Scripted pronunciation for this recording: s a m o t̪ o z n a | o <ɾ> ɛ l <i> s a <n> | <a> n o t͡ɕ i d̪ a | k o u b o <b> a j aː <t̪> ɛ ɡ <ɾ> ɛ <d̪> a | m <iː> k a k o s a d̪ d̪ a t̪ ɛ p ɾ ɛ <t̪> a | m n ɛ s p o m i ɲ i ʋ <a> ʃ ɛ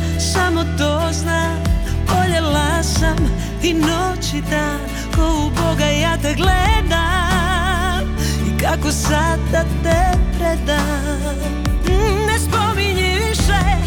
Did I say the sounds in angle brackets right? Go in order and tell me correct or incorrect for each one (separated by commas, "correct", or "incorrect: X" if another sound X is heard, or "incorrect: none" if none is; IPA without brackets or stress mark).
incorrect: ʎ, incorrect: a, incorrect: m, incorrect: i, incorrect: ɡ, correct, incorrect: l, correct, incorrect: i, incorrect: d̪, incorrect: i